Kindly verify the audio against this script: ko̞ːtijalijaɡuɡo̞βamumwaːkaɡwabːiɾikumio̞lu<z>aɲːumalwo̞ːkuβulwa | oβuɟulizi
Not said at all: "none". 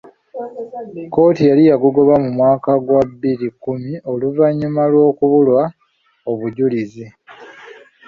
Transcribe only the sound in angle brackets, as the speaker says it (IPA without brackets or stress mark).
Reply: v